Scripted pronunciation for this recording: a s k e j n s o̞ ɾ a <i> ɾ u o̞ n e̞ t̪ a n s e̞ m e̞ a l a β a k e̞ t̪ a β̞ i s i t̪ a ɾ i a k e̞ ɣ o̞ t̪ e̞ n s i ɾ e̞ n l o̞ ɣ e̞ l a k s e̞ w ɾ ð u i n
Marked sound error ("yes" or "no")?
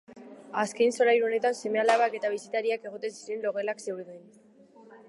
yes